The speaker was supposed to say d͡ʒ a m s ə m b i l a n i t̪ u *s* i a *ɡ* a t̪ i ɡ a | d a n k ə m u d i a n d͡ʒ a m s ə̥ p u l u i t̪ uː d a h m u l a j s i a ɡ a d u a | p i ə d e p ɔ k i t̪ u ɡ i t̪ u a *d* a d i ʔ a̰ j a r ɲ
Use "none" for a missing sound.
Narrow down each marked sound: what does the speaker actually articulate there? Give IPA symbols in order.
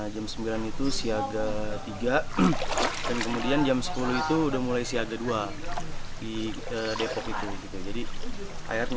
s, ɡ, d͡ʒ

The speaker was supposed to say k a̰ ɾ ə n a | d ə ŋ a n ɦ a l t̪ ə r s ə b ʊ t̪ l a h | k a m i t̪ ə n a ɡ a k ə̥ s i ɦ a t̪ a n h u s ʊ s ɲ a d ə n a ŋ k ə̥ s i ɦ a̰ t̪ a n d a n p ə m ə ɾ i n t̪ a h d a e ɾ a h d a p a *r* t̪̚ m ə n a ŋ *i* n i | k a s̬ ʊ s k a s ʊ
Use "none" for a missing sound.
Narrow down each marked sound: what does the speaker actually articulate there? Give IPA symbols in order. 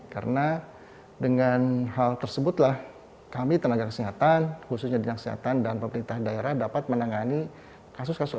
none, a

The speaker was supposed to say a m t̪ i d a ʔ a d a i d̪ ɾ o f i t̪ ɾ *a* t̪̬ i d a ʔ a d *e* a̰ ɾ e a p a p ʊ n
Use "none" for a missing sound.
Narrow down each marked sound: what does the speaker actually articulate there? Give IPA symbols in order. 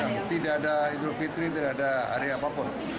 i, a

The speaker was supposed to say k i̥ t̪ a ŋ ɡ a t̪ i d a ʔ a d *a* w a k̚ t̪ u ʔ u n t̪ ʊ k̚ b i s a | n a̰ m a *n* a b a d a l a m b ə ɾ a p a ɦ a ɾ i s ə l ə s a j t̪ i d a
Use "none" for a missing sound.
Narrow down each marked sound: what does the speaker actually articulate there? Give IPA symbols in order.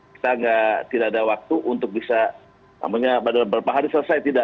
a, ɲ

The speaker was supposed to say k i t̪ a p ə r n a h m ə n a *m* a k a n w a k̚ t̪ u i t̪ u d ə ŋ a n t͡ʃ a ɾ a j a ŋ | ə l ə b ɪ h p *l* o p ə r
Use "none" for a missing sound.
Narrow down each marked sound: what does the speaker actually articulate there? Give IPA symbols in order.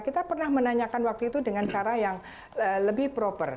ɲ, ɾ

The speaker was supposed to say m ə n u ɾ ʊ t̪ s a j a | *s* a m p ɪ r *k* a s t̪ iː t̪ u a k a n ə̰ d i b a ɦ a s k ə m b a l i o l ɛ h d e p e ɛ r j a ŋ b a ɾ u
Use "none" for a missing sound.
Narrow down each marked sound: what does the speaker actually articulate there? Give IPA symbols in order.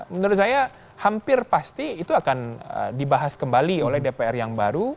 h, p

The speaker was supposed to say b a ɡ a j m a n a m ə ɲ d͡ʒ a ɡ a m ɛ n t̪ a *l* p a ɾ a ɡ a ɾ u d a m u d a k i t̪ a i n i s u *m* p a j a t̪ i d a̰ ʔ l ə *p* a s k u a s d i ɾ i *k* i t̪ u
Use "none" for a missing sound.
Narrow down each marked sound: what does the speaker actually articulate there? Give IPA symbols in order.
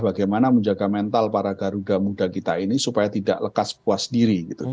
l, none, k, ɡ

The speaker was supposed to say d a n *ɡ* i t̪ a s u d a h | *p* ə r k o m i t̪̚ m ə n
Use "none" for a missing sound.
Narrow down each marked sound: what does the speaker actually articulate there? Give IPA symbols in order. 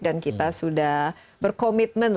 k, b

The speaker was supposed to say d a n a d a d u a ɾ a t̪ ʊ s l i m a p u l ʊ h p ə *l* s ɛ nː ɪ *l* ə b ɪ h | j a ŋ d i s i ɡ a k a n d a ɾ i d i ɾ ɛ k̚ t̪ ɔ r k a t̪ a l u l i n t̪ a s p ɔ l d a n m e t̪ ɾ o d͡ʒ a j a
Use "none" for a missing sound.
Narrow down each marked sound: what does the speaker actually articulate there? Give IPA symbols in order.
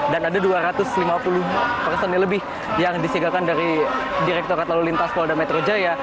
r, l

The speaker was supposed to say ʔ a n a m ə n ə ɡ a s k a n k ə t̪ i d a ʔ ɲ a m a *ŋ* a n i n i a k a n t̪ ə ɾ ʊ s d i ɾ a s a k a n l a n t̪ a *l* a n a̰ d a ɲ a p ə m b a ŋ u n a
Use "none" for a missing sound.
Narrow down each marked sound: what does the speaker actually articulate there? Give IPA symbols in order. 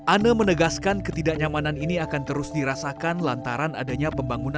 n, ɾ

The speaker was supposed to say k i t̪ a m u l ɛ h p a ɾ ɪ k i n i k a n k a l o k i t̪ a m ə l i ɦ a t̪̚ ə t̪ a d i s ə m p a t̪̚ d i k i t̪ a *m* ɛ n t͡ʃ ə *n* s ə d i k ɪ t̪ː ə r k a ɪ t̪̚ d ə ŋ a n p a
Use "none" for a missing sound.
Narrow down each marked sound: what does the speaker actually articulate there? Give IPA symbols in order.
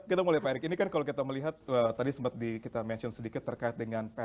m, n

